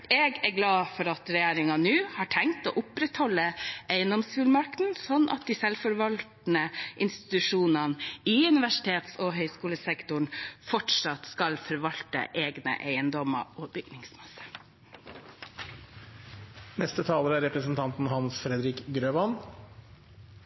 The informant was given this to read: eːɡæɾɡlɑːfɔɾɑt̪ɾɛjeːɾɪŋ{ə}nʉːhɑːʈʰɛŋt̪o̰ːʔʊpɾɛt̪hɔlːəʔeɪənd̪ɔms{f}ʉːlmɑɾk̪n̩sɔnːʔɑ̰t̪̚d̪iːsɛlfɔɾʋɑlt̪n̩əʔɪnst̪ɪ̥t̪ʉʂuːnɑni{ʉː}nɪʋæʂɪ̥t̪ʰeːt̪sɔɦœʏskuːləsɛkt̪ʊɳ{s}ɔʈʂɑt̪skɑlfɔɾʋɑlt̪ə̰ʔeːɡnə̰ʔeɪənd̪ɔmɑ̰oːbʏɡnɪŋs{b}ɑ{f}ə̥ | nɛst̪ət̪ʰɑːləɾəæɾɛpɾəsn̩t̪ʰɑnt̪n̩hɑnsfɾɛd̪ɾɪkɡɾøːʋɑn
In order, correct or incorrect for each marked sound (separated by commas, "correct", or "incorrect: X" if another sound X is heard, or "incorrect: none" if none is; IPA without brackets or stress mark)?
incorrect: ɑ, correct, incorrect: ʉ, incorrect: f, incorrect: m, incorrect: s